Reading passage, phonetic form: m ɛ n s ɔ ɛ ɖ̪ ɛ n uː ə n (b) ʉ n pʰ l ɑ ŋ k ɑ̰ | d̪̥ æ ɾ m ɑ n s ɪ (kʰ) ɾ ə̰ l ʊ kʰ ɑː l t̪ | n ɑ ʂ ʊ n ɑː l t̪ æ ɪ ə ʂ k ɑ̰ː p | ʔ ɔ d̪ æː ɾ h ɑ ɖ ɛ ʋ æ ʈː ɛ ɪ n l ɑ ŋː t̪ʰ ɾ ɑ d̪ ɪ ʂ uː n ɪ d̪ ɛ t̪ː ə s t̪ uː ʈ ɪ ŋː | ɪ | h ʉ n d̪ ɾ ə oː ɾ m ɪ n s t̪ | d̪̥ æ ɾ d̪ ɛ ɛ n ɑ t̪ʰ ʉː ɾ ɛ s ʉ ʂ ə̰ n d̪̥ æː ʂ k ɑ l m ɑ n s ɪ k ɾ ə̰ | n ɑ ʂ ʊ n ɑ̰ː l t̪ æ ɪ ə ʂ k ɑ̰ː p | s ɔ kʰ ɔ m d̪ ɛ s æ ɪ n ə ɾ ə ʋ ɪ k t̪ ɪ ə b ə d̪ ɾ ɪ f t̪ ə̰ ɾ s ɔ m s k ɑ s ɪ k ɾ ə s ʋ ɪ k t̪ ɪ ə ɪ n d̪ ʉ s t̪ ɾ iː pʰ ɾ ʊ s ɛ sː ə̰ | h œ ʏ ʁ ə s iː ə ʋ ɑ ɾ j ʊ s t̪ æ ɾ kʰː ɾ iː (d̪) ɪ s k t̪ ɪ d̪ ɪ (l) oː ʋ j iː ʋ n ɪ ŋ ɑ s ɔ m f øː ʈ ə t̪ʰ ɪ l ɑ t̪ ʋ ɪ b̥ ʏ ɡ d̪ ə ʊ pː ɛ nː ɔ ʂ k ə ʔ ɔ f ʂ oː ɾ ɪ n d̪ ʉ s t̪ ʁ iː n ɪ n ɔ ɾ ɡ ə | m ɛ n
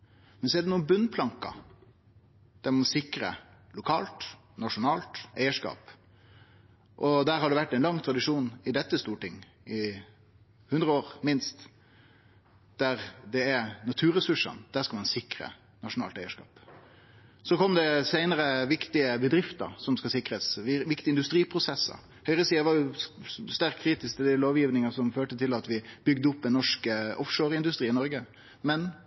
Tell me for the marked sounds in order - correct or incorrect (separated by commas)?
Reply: correct, incorrect, incorrect, correct